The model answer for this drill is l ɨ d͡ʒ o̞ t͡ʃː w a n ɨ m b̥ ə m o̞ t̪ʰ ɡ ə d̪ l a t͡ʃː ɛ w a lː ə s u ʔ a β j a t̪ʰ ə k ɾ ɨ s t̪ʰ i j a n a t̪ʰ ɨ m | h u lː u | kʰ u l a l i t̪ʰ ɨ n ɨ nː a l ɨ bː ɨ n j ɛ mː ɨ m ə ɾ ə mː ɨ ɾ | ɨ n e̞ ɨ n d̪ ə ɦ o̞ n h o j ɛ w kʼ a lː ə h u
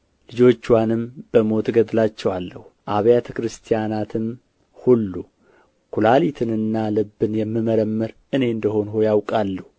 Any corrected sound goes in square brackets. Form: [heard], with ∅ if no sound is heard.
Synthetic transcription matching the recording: l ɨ d͡ʒ o̞ t͡ʃː w a n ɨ m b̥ ə m o̞ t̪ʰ ɡ ə d̪ l a t͡ʃː ɛ w a lː ə [h] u ʔ a β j a t̪ʰ ə k ɾ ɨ s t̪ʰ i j a n a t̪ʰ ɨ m | h u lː u | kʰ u l a l i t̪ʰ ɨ n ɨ nː a l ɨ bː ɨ n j ɛ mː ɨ m ə ɾ ə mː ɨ ɾ | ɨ n e̞ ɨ n d̪ ə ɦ o̞ n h o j [a] w kʼ a lː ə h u